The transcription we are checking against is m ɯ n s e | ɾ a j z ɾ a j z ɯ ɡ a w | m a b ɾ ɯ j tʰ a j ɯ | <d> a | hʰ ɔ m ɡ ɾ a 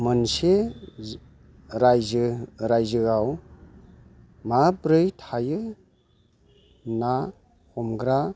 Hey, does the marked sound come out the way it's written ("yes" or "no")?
no